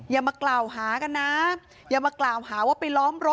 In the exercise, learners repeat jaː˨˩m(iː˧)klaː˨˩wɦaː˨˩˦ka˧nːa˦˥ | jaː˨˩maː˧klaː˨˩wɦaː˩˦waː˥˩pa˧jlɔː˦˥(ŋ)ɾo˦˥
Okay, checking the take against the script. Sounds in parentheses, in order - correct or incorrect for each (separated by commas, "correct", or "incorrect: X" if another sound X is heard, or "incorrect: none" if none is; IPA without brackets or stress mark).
incorrect: aː˧, incorrect: m